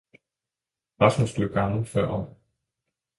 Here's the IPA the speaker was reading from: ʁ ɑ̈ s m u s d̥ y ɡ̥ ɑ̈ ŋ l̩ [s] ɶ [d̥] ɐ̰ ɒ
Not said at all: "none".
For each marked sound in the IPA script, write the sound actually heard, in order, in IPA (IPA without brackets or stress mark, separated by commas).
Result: f, none